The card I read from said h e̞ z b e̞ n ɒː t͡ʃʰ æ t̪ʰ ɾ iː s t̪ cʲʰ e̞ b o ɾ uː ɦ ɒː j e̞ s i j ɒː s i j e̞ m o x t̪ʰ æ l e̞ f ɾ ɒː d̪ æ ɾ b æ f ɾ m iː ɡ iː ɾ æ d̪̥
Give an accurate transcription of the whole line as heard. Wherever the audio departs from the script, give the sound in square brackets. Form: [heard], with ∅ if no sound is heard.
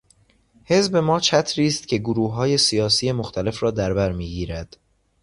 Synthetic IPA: h e̞ z b e̞ [m] ɒː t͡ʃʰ æ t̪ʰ ɾ iː s t̪ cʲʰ e̞ [ɡ] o ɾ uː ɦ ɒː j e̞ s i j ɒː s i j e̞ m o x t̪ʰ æ l e̞ f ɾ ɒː d̪ æ ɾ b æ [∅] ɾ m iː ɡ iː ɾ æ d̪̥